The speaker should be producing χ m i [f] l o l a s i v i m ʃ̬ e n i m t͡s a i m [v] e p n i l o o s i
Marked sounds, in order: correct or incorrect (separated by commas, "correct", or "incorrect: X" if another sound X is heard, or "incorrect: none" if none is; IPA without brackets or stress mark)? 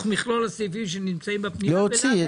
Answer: incorrect: χ, incorrect: b